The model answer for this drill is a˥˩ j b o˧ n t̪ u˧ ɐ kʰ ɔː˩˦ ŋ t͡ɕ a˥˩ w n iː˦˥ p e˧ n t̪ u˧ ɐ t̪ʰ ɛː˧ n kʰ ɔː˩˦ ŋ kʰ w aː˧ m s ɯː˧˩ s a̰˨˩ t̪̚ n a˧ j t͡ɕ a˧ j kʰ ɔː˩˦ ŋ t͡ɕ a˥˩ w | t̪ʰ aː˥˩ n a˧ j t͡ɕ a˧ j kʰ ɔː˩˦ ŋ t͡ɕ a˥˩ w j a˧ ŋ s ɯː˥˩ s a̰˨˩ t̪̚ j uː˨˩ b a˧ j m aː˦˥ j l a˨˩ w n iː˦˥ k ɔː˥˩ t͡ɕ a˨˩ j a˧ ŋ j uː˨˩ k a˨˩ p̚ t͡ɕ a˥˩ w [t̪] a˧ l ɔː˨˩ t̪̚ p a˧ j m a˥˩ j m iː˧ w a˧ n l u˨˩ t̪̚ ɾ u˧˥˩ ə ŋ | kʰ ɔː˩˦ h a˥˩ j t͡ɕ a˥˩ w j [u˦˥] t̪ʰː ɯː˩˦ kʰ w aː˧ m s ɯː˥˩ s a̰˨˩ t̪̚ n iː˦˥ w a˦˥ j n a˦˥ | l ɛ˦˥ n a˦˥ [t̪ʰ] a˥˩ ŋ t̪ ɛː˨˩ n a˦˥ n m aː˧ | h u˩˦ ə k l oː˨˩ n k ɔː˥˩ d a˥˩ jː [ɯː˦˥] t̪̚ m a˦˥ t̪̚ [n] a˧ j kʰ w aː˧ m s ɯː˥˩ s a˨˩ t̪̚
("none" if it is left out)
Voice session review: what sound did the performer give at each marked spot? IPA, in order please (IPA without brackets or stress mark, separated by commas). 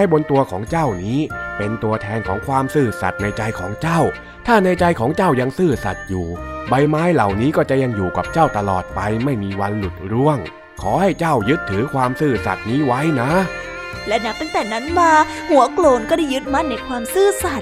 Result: t̪, ɯ˦˥, t̪, ɯ˦˥, n